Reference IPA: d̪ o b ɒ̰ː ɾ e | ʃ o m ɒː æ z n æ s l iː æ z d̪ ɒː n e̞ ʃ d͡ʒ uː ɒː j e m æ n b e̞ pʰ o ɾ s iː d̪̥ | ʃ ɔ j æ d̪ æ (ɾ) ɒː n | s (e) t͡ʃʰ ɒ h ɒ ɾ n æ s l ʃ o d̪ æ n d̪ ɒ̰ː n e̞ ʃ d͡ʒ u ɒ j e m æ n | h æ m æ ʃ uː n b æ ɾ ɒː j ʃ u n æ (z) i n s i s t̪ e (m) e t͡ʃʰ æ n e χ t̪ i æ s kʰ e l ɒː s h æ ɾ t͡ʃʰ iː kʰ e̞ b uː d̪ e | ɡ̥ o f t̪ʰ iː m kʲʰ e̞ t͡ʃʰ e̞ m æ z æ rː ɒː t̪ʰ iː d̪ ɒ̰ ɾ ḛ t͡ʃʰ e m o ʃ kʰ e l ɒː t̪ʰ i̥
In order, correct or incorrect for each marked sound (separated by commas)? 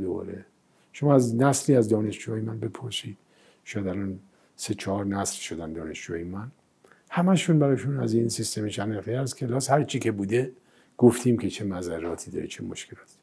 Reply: incorrect, correct, correct, correct